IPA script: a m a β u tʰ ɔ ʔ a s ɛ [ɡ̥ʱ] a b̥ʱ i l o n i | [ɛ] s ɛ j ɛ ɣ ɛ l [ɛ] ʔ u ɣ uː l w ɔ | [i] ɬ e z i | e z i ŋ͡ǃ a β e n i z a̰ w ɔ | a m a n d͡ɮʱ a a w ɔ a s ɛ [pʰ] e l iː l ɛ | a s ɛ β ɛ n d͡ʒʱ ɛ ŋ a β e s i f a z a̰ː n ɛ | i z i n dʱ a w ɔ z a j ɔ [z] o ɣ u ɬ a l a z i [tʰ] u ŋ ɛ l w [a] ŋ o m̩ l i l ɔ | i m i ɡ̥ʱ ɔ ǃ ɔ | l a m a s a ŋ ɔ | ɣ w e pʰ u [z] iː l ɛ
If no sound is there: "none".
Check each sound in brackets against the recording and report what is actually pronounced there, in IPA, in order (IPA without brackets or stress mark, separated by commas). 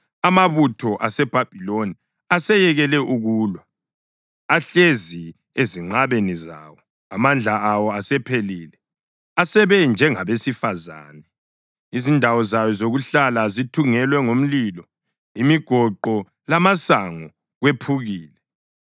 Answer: b̥ʱ, a, ɛ, a, pʰ, z, tʰ, ɛ, ɣ